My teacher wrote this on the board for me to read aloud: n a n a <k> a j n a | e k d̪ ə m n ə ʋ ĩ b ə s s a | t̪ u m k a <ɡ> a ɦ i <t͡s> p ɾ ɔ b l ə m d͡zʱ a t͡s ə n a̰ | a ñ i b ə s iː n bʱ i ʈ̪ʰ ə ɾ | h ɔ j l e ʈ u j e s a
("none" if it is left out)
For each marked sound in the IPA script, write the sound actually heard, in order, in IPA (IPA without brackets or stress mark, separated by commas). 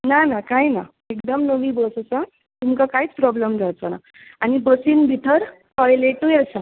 k, k, t͡s